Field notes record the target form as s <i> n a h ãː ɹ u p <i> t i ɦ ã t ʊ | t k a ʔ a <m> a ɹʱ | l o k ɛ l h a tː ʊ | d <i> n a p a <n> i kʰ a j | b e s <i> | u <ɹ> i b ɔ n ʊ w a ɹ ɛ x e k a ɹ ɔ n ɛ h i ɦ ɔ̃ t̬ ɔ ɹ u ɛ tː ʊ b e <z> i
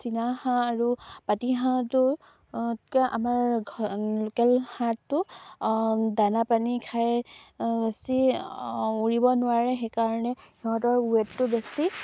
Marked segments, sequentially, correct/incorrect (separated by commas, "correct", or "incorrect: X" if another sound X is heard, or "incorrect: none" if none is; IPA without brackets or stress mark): correct, incorrect: a, correct, incorrect: a, correct, correct, correct, incorrect: s